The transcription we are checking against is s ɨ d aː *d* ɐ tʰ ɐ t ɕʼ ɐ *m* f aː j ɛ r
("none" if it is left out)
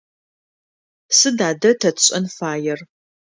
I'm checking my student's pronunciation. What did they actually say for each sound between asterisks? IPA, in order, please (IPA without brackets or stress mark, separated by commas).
d, n